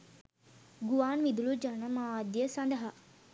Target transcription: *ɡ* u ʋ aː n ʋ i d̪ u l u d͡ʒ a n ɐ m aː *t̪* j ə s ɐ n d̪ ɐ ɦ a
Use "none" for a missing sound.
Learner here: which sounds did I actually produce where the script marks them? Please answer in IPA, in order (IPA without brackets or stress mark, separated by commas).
ɡ, d̪